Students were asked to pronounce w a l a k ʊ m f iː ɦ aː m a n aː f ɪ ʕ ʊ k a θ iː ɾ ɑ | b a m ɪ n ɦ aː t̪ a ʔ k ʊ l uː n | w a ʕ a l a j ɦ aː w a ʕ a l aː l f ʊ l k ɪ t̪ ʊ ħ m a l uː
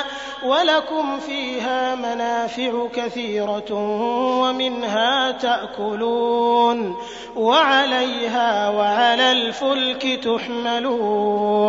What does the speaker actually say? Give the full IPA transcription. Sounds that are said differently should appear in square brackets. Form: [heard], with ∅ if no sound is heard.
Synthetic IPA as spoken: w a l a k ʊ m f iː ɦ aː m a n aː f ɪ ʕ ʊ k a θ iː ɾ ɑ | [w] a m ɪ n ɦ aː t̪ a ʔ k ʊ l uː n | w a ʕ a l a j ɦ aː w a ʕ a l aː l f ʊ l k ɪ t̪ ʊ ħ m a l uː